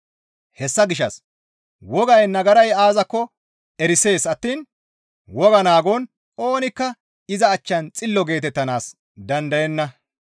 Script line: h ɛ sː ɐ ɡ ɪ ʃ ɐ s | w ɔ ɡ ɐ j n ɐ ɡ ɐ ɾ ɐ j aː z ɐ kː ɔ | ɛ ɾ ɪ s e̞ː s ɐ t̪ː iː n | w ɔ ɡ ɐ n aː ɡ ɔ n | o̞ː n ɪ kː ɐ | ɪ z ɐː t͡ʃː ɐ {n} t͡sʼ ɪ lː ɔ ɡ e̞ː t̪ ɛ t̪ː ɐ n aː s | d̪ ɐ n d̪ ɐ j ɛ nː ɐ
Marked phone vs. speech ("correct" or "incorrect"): correct